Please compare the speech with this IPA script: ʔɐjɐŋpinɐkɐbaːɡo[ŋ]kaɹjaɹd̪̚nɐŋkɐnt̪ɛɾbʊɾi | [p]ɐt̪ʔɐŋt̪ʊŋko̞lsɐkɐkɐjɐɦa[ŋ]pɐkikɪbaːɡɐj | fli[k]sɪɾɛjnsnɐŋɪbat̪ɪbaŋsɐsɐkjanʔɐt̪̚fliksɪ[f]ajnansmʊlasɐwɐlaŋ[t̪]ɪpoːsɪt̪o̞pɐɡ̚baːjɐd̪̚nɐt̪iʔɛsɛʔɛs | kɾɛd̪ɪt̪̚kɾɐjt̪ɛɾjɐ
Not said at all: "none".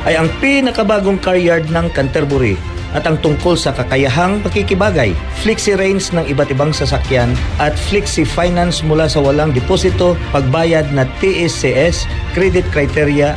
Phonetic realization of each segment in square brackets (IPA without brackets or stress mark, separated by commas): ŋ, ʔ, ŋ, k, f, d̪